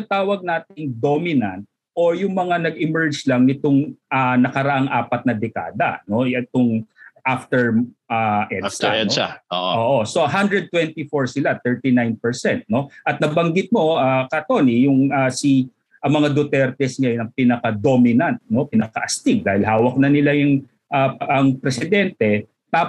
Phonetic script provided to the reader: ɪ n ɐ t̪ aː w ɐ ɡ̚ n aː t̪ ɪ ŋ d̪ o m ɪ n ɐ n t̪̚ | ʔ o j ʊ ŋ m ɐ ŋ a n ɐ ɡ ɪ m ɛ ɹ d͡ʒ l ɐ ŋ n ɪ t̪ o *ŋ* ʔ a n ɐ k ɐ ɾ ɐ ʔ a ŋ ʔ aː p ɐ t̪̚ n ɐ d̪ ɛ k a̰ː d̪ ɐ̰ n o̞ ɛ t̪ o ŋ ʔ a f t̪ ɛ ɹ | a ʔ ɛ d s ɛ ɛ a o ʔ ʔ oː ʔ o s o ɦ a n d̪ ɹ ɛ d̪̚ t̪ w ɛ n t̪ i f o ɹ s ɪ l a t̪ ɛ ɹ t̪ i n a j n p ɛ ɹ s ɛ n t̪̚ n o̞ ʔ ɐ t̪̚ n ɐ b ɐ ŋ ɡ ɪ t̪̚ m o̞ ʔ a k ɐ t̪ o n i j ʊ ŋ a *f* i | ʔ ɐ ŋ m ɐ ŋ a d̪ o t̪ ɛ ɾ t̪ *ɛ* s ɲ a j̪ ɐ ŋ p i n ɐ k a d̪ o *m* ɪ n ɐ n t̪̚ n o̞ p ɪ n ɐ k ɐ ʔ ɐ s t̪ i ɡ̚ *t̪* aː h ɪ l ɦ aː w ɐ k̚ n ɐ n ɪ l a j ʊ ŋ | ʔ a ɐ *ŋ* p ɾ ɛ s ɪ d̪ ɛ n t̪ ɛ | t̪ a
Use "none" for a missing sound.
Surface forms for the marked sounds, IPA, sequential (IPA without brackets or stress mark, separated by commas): ŋ, s, ɛ, m, d̪, ŋ